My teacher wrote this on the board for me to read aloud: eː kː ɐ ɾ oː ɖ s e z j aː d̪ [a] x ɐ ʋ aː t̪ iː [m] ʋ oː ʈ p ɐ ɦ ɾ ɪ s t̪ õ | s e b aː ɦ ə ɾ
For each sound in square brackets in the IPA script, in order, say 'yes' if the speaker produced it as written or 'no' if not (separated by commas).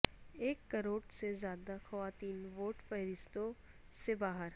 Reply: yes, no